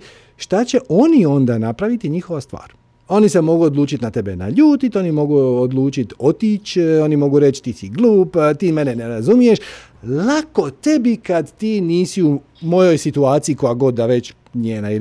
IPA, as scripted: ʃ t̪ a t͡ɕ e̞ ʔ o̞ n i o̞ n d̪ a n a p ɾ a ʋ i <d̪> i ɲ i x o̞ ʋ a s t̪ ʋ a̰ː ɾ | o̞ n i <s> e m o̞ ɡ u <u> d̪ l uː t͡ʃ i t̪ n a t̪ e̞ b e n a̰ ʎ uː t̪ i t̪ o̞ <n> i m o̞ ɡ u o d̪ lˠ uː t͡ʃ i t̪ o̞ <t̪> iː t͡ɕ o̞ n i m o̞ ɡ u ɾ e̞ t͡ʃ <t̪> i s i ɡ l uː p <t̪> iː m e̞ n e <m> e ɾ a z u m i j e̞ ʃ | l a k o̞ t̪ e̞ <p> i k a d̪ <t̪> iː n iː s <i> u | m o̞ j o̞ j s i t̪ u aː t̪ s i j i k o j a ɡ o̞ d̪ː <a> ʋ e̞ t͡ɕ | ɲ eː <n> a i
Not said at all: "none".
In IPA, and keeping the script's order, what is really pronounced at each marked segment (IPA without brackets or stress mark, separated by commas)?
t̪, s, o, n, t̪, t̪, t̪, n, b, t̪, i, a, n